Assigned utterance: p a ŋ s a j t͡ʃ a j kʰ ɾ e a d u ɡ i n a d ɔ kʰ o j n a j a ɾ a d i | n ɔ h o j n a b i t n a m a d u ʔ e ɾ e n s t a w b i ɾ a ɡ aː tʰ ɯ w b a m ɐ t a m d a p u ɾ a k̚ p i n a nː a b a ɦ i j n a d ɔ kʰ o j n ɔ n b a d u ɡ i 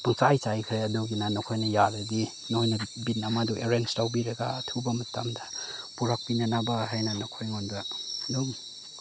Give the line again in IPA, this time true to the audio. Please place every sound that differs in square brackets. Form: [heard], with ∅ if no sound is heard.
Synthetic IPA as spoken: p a ŋ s a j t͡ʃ a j kʰ ɾ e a d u ɡ i n a [n] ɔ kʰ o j n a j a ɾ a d i | n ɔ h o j n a b i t n a m a d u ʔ e ɾ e n s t a w b i ɾ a ɡ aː tʰ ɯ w b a m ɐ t a m d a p u ɾ a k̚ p i n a [n] a b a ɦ [a] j n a [n] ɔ kʰ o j [ŋ] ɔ n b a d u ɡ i